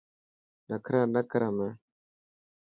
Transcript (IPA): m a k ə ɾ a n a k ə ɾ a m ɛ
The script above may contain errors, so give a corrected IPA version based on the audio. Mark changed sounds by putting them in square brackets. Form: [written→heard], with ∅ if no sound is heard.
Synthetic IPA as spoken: [m→n] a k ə ɾ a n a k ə ɾ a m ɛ